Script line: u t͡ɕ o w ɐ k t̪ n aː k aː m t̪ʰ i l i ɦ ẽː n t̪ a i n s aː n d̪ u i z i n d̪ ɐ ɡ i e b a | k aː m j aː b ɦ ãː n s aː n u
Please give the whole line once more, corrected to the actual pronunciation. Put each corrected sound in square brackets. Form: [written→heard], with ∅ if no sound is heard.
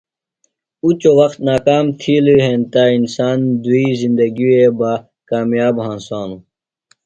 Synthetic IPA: u t͡ɕ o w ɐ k t̪ n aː k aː m t̪ʰ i l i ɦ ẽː n t̪ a i n s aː n d̪ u i z i n d̪ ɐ ɡ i e b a | k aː m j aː b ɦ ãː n s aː n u

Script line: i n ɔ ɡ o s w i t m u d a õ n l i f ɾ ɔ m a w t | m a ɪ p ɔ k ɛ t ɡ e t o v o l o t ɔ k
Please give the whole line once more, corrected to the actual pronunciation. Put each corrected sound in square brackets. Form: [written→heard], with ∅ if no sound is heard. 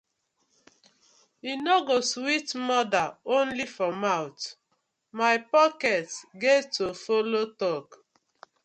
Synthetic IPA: i n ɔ ɡ o s w i t m [u→ɔ] d a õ n l i f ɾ ɔ m a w t | m a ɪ p ɔ k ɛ t ɡ e t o [v→f] o l o t ɔ k

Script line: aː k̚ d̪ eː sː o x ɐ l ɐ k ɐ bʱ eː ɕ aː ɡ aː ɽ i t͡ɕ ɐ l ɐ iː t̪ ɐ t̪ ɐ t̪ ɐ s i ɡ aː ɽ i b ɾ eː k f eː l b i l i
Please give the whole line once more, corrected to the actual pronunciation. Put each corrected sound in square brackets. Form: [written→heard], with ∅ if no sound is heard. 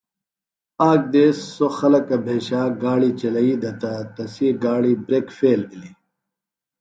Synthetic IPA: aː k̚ d̪ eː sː o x ɐ l ɐ k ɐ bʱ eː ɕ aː ɡ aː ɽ i t͡ɕ ɐ l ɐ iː [t̪→d̪] ɐ t̪ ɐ t̪ ɐ s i ɡ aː ɽ i b ɾ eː k f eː l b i l i

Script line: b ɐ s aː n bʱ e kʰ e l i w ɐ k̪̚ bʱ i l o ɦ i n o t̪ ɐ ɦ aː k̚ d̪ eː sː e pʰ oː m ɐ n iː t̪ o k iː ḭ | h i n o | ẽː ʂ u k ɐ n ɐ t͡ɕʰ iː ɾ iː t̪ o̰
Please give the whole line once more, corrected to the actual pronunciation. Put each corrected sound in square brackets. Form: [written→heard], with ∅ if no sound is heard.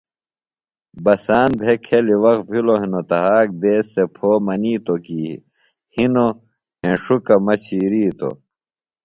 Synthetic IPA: b ɐ s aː n bʱ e kʰ e l i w ɐ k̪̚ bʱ i l o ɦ i n o t̪ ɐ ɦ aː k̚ d̪ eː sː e pʰ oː m ɐ n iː t̪ o k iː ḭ | h i n o | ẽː ʂ u k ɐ [n→m] ɐ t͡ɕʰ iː ɾ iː t̪ o̰

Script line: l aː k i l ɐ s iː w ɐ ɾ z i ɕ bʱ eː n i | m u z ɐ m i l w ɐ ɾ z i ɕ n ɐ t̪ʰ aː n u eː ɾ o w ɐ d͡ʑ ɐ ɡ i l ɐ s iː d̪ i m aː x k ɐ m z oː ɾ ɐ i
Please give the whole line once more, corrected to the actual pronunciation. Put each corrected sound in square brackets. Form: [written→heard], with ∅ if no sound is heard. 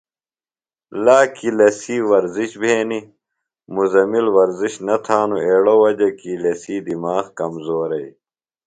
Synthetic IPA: l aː k i l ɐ s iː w ɐ ɾ z i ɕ bʱ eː n i | m u z ɐ m i l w ɐ ɾ z i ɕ n ɐ t̪ʰ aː n u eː [ɾ→ɽ] o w ɐ d͡ʑ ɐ [ɡ→k] i l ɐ s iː d̪ i m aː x k ɐ m z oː ɾ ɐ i

